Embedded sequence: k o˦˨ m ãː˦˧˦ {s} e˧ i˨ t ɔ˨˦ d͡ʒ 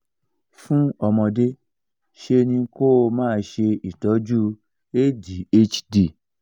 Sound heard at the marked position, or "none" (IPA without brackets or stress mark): ʃ